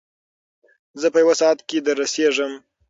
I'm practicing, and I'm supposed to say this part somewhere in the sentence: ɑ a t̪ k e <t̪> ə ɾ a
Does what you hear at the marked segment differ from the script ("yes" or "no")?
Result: yes